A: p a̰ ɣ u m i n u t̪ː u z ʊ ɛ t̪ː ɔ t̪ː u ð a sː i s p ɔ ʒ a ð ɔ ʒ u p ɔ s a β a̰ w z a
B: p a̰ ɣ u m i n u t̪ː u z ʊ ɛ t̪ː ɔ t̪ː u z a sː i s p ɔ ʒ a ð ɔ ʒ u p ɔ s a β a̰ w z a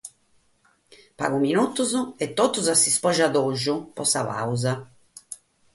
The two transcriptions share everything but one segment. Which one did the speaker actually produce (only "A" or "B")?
B